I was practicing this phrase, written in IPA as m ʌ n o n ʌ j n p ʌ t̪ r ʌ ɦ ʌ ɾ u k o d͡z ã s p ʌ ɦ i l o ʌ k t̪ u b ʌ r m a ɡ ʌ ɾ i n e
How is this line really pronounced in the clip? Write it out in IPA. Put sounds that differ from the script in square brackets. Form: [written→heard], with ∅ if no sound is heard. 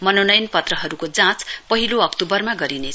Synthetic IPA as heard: m ʌ n o n ʌ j n p ʌ t̪ r ʌ ɦ ʌ ɾ u k o d͡z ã [s→t͡s] p ʌ ɦ i l o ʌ k t̪ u b ʌ r m a ɡ ʌ ɾ i n e